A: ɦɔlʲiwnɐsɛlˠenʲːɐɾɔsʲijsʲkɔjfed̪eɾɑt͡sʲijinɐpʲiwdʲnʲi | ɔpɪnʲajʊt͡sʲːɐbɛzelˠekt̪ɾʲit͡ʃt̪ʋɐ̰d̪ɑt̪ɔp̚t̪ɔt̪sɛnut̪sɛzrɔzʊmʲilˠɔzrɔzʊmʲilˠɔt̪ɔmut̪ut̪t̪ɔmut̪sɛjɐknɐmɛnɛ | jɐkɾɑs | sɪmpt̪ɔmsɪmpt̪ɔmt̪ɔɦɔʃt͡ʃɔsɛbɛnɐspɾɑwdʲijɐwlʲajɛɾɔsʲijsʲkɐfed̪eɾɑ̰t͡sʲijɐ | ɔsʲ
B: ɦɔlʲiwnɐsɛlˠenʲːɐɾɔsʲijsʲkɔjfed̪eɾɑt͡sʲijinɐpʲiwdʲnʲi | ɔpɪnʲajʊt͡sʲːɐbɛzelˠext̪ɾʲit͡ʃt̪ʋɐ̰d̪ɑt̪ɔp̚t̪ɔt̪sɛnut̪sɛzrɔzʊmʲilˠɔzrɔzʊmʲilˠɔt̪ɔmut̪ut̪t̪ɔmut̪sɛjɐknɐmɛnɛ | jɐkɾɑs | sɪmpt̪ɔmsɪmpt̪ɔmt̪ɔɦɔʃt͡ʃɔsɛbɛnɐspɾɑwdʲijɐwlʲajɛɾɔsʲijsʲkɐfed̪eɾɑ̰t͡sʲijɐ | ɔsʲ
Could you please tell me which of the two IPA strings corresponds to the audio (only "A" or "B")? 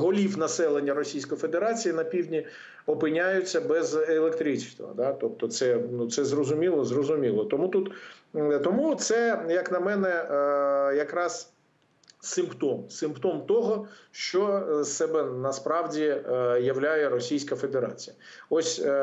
A